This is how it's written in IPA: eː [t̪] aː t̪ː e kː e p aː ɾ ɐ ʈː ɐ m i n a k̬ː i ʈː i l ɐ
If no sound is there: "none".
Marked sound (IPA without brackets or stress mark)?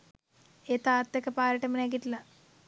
t̪